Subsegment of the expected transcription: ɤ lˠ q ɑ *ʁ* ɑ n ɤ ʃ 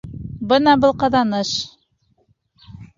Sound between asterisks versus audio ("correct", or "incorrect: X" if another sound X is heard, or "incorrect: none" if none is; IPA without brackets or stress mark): incorrect: ð